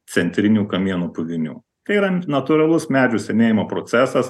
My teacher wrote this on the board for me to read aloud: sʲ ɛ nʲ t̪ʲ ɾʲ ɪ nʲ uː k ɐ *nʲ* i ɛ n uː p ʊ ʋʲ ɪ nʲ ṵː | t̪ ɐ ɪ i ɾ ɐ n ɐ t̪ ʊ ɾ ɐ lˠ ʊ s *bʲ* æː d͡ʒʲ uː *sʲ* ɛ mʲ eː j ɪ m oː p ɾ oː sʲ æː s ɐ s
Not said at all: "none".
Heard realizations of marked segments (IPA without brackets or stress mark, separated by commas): mʲ, mʲ, sʲ